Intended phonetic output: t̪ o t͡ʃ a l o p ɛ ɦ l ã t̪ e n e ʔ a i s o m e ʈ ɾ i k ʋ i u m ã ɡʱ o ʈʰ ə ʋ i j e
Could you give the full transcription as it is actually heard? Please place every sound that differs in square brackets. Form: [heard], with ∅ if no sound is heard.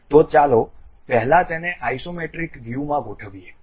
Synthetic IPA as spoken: t̪ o t͡ʃ a l o p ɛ ɦ l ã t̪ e n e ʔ a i s o m e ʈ ɾ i k ʋ [j] u m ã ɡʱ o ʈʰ ə ʋ i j e